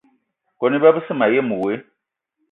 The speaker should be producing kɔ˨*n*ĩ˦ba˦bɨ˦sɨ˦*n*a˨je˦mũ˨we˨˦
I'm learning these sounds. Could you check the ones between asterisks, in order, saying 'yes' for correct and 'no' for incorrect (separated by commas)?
yes, no